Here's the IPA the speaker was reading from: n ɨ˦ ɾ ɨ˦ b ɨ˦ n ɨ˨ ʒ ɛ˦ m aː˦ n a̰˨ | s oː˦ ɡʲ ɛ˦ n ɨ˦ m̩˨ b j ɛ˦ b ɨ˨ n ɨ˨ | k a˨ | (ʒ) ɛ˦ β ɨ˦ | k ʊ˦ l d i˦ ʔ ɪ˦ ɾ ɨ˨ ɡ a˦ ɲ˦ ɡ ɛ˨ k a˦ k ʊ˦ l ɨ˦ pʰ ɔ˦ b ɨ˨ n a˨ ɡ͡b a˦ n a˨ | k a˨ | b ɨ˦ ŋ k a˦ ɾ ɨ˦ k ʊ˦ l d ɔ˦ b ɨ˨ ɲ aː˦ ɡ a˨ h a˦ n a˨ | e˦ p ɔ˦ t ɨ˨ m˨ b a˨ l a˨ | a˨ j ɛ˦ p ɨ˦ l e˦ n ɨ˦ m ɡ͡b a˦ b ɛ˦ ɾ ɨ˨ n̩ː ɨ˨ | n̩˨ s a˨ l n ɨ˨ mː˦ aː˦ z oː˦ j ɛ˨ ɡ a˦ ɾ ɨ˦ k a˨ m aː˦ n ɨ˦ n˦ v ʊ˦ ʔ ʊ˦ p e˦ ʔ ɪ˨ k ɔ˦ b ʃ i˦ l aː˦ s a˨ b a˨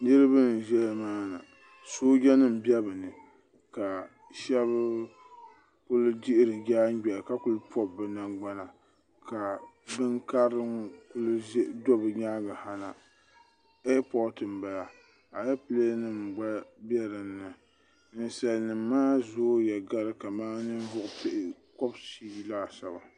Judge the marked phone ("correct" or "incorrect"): incorrect